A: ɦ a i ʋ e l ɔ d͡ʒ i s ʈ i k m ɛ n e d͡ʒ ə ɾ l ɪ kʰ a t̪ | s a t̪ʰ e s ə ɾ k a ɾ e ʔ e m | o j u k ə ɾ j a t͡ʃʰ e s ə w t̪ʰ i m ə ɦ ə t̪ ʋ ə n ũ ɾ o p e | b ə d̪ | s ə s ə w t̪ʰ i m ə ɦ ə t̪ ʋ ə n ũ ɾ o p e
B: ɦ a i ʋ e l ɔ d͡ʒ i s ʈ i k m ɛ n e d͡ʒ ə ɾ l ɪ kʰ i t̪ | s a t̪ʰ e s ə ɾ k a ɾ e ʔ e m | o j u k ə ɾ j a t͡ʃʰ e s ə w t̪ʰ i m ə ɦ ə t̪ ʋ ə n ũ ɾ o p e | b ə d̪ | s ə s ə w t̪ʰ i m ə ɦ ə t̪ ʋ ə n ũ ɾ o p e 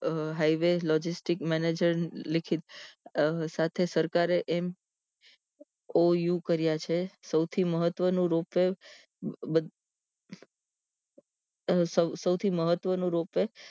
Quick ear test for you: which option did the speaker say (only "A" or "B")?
B